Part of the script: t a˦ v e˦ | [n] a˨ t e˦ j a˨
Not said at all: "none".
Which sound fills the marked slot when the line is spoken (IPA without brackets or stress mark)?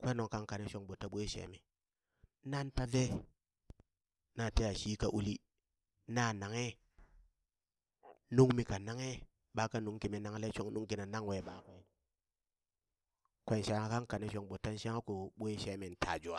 n